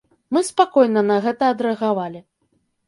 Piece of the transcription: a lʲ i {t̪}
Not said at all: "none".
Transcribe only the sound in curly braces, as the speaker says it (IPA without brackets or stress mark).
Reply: none